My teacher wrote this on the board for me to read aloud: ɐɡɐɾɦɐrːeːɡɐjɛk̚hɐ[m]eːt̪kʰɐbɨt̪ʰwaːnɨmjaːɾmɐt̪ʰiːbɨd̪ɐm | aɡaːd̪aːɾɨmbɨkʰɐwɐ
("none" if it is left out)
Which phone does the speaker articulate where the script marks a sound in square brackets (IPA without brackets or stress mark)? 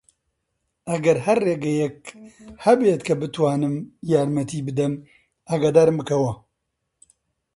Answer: b